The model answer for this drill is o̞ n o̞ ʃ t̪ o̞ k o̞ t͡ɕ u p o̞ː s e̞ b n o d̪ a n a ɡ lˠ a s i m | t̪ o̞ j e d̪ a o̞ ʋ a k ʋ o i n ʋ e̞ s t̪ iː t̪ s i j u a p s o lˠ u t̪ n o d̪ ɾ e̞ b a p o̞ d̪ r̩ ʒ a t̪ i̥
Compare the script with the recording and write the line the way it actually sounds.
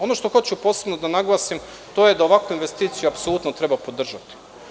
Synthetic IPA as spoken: o̞ n o̞ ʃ t̪ o̞ x o̞ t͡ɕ u p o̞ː s e̞ b n o d̪ a n a ɡ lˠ a s i m | t̪ o̞ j e d̪ a o̞ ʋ a k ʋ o i n ʋ e̞ s t̪ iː t̪ s i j u a p s o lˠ u t̪ n o t̪ ɾ e̞ b a p o̞ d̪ r̩ ʒ a t̪ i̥